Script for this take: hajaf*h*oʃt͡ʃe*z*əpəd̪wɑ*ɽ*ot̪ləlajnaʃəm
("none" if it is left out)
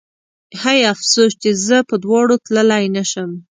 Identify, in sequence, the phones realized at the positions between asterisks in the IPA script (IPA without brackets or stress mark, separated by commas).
s, z, ɽ